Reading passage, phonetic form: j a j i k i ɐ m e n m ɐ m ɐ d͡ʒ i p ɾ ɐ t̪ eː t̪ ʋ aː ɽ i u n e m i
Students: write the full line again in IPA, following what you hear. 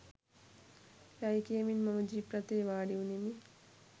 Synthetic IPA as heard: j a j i k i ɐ m i n m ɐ m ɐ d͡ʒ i p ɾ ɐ t̪ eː ʋ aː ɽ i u n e m i